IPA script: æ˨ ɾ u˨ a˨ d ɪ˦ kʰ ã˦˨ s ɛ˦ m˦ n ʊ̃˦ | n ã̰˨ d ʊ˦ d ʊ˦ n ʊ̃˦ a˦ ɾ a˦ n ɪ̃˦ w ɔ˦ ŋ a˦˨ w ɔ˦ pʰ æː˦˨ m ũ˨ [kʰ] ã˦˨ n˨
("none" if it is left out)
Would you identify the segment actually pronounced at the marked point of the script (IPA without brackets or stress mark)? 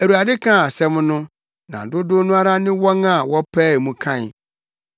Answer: kʰ